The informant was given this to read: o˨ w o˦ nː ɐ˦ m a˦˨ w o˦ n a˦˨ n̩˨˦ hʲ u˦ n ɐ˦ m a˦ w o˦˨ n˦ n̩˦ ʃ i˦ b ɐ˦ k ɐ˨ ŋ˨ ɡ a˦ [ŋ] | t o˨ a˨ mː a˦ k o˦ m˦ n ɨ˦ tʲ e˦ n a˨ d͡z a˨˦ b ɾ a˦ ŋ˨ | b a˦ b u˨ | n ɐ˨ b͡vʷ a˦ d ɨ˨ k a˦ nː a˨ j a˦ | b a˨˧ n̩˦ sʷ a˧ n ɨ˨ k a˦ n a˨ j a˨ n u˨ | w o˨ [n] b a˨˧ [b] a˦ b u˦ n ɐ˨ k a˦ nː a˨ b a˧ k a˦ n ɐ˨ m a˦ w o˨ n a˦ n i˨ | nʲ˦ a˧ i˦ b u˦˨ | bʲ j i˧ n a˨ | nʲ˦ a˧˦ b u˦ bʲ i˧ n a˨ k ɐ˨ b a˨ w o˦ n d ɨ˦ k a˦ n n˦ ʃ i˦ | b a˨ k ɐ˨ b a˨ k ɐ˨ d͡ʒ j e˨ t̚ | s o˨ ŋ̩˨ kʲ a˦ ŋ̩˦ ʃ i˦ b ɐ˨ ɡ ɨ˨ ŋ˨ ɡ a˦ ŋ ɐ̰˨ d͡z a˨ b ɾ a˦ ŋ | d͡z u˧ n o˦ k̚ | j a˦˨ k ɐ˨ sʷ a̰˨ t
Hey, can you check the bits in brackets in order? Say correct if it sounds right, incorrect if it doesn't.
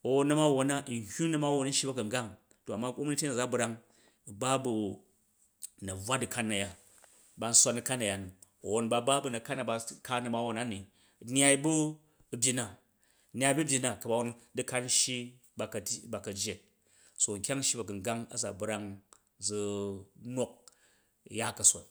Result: correct, correct, correct

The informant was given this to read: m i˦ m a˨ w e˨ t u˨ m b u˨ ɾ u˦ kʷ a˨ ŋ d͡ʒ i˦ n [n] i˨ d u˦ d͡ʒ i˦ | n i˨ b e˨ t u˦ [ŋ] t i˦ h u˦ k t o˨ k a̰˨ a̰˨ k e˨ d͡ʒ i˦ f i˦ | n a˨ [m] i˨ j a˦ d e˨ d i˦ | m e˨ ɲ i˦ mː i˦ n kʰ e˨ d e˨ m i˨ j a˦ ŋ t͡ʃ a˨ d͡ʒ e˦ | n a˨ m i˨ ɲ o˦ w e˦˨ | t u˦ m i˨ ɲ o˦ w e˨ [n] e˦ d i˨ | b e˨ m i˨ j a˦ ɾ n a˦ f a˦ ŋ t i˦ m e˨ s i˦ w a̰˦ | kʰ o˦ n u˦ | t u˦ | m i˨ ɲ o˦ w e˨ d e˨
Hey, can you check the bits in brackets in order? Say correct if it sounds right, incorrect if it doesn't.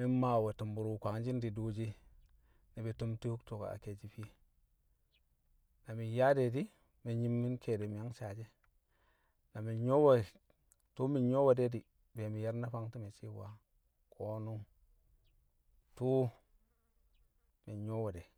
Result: incorrect: d, incorrect: m, correct, incorrect: d

